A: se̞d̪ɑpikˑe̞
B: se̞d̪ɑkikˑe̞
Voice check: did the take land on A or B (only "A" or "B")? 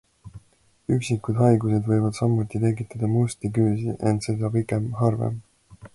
A